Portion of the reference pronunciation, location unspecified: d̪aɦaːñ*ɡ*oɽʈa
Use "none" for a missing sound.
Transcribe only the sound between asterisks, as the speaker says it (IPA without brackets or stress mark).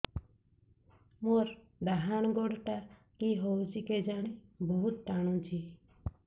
ɡ